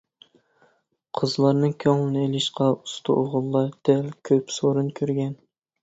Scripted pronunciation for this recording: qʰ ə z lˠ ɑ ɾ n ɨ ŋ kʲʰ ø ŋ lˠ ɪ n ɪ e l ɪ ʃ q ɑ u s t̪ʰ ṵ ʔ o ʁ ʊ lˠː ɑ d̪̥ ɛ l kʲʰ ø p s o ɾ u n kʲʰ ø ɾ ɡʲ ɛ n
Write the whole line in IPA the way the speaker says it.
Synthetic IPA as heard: qʰ ə z lˠ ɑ ɾ n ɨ ŋ kʲʰ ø ŋ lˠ ɪ n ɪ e l ɪ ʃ q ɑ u s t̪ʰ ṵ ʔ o ʁ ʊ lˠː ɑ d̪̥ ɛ l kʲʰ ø p s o ɾ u n kʲʰ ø ɾ ɡʲ ɛ n